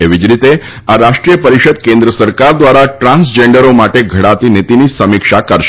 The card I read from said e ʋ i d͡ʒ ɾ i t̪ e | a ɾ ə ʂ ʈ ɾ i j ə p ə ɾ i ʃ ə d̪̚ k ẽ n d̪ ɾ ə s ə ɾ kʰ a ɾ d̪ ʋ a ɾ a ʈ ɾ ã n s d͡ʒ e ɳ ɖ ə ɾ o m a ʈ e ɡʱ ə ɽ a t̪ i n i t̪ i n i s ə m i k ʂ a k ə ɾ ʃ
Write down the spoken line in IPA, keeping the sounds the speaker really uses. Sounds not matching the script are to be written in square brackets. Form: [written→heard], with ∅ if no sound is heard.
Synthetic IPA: e ʋ i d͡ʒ ɾ i t̪ e | a ɾ [ə→a] ʂ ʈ ɾ i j ə p ə ɾ i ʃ ə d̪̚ k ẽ n d̪ ɾ ə s ə ɾ [kʰ→k] a ɾ d̪ ʋ a ɾ a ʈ ɾ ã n s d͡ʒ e ɳ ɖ ə ɾ o m a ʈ e ɡʱ ə ɽ a t̪ i n i t̪ i n i s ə m i k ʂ a k ə ɾ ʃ